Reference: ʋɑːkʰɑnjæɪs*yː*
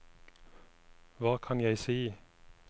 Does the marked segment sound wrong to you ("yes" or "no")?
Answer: yes